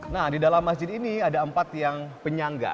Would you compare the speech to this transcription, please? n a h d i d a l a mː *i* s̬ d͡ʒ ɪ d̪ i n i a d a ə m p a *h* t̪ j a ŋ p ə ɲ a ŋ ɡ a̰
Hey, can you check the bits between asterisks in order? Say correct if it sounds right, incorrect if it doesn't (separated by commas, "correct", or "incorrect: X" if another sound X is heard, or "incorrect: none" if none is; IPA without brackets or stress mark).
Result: incorrect: a, incorrect: none